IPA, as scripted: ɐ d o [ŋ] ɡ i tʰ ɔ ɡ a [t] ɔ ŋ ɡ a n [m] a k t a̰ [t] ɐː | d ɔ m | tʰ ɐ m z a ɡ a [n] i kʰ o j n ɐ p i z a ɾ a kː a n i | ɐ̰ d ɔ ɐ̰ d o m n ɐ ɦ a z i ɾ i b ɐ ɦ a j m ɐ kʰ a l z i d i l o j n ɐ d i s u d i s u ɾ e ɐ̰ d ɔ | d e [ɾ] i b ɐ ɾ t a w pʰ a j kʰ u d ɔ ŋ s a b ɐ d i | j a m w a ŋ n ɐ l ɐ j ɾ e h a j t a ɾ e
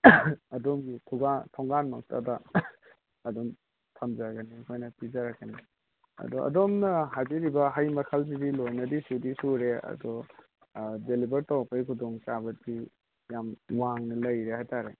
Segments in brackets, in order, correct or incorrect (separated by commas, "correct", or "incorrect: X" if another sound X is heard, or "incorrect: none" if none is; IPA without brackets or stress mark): incorrect: m, incorrect: tʰ, correct, incorrect: d, correct, incorrect: l